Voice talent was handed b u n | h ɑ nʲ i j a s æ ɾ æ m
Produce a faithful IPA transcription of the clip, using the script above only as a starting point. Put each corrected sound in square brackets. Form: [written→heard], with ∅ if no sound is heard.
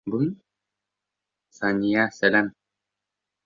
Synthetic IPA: b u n | [h→s] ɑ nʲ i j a s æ [ɾ→l] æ m